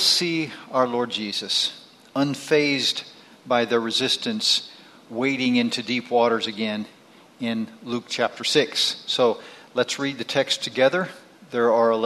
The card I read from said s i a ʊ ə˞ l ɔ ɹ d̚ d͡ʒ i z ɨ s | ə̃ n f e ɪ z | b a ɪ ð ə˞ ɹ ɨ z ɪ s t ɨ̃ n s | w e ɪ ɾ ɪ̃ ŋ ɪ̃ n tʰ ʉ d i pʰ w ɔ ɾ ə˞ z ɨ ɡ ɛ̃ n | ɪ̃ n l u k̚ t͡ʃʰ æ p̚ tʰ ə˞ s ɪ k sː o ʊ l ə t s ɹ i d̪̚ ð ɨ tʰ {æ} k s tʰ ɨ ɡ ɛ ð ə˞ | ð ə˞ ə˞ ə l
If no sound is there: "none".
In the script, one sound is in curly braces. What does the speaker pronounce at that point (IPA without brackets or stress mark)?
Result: ɛ